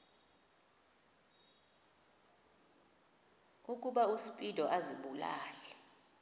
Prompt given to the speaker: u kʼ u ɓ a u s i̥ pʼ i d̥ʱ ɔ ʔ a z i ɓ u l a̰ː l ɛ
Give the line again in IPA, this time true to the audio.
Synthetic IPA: u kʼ u ɓ a u s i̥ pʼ i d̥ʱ ɔ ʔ a z i ɓ u l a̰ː l ɛ